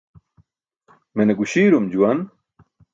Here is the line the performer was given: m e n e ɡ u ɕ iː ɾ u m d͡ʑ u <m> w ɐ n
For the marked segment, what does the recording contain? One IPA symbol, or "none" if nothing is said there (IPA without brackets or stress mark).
none